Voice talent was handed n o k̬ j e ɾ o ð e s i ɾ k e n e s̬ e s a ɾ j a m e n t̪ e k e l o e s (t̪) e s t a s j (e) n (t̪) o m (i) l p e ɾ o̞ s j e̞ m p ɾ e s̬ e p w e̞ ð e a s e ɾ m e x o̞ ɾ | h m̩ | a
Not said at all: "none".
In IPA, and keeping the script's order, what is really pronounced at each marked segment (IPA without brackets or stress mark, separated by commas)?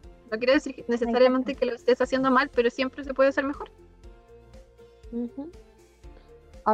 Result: t̪, e, d̪, a